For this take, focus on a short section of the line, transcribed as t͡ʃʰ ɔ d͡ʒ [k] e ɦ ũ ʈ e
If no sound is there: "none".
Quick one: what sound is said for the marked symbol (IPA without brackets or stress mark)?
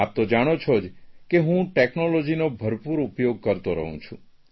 k